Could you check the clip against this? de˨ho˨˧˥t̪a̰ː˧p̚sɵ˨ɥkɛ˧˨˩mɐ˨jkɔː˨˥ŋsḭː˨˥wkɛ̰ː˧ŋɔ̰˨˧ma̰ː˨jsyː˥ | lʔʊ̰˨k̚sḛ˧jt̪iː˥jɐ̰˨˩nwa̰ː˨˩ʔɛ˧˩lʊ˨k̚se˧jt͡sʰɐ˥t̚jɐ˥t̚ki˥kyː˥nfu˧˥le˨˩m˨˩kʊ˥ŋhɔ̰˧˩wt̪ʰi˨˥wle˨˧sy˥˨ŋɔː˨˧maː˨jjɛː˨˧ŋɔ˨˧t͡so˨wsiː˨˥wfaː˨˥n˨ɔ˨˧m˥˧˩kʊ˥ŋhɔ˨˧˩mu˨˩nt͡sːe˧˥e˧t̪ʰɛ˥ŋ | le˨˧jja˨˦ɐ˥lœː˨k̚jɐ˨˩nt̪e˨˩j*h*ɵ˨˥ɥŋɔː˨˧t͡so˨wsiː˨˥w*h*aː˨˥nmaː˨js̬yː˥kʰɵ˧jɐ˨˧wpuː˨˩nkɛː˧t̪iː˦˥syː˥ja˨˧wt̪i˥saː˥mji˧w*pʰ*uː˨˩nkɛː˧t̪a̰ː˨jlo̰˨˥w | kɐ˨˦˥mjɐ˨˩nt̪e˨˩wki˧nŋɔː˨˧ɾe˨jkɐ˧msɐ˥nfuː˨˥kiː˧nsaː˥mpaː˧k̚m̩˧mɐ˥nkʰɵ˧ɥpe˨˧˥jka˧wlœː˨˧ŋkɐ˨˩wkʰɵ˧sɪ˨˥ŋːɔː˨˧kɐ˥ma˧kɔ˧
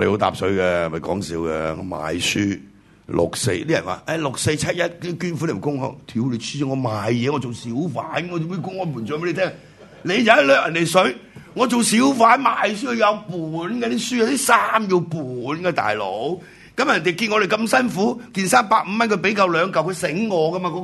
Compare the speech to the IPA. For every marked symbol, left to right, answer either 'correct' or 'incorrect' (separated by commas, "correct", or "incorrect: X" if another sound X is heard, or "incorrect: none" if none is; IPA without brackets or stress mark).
incorrect: s, incorrect: f, incorrect: p